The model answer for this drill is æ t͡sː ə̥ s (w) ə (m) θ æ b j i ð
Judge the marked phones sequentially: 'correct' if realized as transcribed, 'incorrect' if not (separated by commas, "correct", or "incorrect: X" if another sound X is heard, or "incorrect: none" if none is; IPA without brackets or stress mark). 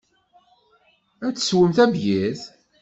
correct, correct